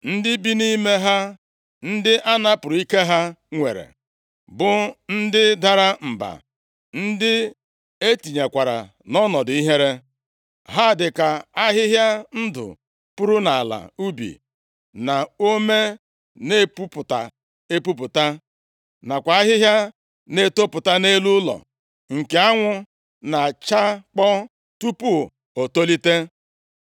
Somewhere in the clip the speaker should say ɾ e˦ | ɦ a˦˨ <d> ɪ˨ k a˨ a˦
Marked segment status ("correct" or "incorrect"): correct